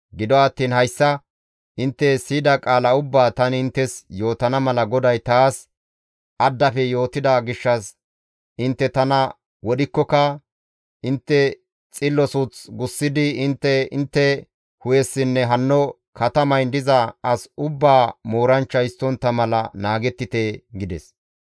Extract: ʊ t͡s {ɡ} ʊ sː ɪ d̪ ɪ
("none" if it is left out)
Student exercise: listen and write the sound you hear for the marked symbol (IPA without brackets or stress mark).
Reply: ɡ